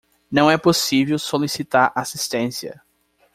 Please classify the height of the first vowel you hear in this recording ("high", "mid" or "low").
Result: low